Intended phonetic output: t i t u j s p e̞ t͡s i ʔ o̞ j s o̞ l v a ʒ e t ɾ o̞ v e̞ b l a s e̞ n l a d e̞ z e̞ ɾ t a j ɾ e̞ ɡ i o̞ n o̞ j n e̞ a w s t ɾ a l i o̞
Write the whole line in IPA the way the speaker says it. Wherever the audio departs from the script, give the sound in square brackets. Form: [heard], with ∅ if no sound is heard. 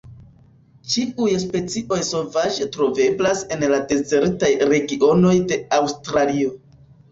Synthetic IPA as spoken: [t͡ʃ] i [∅] u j s p e̞ t͡s i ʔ o̞ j s o̞ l v a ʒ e t ɾ o̞ v e̞ b l a s e̞ n l a d e̞ z e̞ ɾ t a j ɾ e̞ ɡ i o̞ n o̞ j [d] e̞ a w s t ɾ a l i o̞